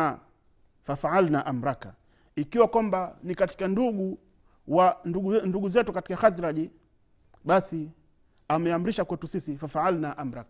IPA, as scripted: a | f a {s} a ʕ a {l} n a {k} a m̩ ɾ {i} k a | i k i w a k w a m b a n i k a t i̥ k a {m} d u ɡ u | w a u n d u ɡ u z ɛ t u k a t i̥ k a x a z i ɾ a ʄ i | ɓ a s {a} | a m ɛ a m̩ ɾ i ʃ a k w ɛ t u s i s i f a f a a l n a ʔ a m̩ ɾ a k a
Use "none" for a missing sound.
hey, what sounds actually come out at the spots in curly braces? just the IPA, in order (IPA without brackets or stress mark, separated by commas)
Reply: f, l, ʔ, a, n, i